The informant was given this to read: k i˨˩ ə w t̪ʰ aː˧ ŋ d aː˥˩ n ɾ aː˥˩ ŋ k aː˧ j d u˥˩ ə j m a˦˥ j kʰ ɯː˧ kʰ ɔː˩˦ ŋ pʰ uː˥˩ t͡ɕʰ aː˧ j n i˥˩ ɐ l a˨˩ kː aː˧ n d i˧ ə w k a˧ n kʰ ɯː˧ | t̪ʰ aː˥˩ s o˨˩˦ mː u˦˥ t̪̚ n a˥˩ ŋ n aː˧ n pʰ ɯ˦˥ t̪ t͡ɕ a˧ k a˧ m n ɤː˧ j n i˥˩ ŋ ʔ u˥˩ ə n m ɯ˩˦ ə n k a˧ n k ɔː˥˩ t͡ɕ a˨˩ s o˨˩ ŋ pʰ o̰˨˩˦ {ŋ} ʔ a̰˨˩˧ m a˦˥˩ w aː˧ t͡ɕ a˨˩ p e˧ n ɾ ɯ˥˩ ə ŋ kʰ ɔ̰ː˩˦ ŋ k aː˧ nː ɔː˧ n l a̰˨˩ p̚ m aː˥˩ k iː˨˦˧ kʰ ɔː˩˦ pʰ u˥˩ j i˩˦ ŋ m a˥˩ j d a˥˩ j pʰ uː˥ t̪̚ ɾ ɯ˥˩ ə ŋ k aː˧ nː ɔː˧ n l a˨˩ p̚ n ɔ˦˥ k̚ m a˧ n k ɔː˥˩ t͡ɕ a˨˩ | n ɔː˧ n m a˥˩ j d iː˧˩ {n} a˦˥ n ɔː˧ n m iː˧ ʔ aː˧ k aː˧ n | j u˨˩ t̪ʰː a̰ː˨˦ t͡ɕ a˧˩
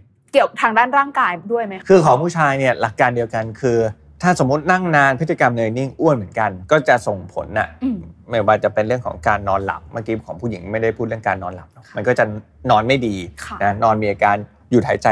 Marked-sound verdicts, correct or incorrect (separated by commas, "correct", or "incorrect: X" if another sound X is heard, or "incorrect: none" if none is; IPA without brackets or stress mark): incorrect: n, correct